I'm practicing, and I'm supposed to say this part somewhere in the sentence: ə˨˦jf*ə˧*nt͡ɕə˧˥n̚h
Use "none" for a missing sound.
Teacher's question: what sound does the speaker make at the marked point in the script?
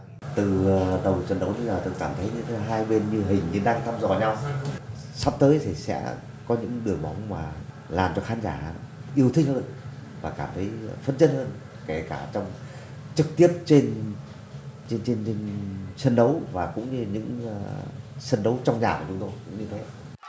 ə˧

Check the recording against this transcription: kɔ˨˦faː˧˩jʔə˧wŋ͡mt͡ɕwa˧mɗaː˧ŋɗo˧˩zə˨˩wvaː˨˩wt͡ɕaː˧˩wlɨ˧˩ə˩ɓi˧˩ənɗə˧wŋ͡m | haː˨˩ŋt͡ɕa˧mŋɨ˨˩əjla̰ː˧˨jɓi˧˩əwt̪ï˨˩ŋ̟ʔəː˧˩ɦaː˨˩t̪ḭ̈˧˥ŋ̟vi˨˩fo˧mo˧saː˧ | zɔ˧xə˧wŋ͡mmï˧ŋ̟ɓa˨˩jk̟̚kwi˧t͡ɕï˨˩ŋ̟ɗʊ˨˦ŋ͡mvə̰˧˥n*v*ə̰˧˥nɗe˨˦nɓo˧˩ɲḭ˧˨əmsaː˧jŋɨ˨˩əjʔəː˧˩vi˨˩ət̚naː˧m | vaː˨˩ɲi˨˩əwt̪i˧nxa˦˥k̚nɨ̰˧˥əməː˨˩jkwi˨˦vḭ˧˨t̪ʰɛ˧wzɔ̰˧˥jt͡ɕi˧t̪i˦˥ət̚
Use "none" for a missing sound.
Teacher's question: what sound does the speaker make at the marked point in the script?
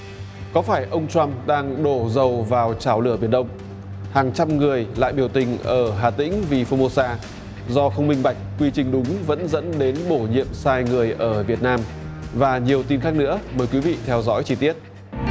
z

